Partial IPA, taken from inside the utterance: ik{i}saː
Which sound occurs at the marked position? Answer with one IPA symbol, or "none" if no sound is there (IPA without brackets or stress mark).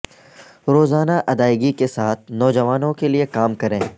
e